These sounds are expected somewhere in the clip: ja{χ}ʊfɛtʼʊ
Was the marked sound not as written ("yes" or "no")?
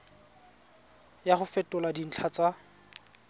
no